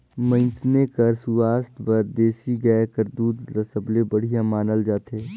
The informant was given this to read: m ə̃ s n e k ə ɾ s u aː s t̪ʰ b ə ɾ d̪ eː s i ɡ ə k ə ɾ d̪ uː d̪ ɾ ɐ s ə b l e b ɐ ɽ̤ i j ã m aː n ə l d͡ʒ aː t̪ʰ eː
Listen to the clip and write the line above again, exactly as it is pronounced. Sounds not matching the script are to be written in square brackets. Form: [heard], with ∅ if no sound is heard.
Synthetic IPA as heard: m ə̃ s n e k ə ɾ s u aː s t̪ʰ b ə ɾ d̪ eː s i ɡ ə k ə ɾ d̪ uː d̪ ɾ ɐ s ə b l e b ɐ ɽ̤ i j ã m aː n ə l d͡ʒ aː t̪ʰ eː

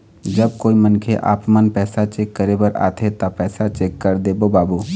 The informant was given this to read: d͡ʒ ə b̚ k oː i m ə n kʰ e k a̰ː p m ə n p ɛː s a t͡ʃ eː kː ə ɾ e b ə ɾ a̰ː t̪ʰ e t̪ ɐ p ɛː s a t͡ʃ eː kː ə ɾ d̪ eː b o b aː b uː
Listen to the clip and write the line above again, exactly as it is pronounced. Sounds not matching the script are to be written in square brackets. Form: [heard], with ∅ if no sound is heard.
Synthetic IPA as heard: d͡ʒ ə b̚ k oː i m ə n kʰ e [ʔ] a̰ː p m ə n p ɛː s a t͡ʃ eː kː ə ɾ e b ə ɾ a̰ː t̪ʰ e t̪ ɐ p ɛː s a t͡ʃ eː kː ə ɾ d̪ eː b o b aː b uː

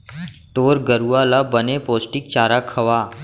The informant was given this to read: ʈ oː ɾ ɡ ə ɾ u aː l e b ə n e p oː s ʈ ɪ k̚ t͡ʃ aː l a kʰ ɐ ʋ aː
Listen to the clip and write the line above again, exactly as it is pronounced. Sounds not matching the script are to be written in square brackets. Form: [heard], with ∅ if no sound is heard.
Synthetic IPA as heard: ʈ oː ɾ ɡ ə ɾ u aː l [a] b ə n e p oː s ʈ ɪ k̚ t͡ʃ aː [ɾ] a kʰ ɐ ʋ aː

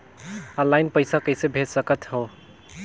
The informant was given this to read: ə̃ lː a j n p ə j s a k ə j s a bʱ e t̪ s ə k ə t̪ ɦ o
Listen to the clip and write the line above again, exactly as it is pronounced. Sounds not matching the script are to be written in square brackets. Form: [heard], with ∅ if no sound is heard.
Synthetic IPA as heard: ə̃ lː a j n p ə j s a k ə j s [e] bʱ e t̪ s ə k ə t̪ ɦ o

